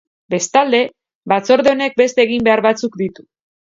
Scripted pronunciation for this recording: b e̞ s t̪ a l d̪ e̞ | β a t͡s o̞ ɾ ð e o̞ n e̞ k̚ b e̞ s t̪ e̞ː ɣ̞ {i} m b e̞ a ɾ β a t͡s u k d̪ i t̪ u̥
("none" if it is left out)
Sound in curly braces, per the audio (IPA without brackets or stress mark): i